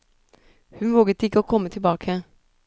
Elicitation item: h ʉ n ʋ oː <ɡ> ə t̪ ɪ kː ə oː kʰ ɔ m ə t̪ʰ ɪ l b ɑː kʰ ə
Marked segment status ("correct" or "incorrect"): correct